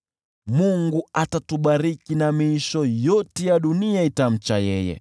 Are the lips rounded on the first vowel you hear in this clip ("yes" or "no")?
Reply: yes